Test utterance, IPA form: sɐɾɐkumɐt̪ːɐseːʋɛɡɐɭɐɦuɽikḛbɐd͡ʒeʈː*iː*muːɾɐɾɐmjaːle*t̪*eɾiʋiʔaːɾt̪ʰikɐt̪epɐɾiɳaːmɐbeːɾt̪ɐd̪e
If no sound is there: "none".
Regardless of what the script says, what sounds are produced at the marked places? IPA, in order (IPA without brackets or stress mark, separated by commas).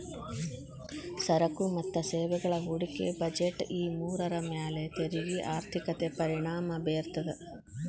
iː, t̪